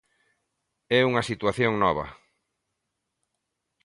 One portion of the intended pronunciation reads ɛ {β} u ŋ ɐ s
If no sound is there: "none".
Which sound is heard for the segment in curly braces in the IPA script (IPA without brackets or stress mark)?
none